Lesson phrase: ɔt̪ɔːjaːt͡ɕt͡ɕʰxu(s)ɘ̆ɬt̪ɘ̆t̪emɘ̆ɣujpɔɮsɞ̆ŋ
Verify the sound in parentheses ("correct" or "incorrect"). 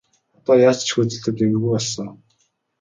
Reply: incorrect